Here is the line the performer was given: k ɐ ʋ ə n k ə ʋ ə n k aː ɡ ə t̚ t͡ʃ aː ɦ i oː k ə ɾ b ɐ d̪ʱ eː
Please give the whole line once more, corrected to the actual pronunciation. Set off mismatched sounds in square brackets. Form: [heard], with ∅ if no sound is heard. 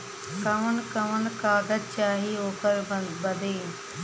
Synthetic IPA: k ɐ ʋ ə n k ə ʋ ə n k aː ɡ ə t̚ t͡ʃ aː ɦ i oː k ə ɾ b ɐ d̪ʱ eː